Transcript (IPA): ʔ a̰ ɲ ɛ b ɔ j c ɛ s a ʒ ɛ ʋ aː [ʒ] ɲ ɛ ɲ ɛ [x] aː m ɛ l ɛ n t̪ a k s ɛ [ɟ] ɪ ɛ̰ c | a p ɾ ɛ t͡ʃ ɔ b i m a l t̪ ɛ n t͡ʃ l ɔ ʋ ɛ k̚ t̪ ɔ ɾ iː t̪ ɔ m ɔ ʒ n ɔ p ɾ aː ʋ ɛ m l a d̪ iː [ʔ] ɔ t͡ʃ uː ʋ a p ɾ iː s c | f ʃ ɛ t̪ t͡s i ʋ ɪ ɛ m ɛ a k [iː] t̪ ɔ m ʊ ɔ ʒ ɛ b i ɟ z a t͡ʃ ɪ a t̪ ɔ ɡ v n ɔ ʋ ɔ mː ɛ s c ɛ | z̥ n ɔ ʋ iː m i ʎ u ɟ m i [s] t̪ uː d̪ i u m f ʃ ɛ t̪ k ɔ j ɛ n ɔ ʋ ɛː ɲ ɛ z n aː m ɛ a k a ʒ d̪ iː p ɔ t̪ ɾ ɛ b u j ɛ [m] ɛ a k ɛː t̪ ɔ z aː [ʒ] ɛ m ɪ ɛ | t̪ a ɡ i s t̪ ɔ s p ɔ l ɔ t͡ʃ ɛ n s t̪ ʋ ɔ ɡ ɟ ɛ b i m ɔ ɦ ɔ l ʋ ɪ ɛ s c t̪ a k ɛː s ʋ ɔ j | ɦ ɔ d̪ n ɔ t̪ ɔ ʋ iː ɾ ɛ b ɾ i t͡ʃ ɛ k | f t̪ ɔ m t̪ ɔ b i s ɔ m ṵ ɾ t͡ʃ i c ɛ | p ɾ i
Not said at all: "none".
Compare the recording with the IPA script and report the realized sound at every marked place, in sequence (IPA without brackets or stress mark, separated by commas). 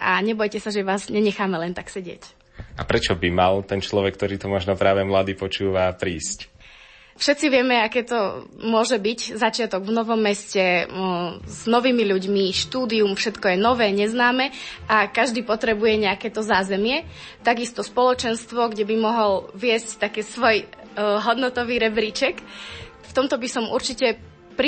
z, x, ɟ, p, ɛː, ʃ, ɲ, z